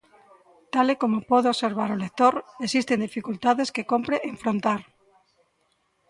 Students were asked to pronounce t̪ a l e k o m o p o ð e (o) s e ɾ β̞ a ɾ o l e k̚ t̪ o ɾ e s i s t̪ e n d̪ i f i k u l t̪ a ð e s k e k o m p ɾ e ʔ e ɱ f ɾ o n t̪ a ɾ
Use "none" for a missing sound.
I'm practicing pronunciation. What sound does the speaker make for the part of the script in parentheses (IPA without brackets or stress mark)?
o